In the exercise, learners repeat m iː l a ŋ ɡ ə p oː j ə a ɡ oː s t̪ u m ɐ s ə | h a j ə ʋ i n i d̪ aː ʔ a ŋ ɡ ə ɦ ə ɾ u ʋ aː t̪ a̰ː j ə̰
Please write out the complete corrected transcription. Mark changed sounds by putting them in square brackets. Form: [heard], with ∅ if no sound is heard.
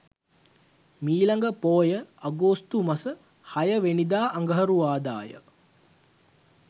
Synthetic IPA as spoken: m iː l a ŋ ɡ ə p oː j ə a ɡ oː s t̪ u m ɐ s ə | h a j ə ʋ [e] n i d̪ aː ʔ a ŋ ɡ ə ɦ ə ɾ u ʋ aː [d̪] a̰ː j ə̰